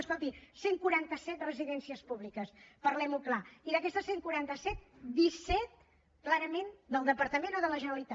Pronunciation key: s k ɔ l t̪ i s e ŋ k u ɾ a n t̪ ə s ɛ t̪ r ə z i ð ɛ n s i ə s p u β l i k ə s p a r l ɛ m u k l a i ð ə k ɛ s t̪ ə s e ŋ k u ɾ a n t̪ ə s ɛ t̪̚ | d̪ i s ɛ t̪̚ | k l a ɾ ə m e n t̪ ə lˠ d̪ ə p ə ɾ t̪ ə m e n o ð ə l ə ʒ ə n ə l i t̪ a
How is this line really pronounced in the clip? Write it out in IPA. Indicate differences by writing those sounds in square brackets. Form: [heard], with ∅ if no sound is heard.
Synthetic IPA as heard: s k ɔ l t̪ i s e ŋ k u ɾ a n t̪ ə s ɛ t̪ r ə z i ð ɛ n s i ə s p u β l i k ə s p [ə] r l ɛ m u k l a i ð ə k ɛ s t̪ ə s e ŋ k u ɾ a n t̪ ə s ɛ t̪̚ | d̪ i s ɛ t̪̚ | k l a ɾ ə m e n [d̪] ə lˠ d̪ ə p ə ɾ t̪ ə m e n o ð ə l ə ʒ ə n ə l i t̪ a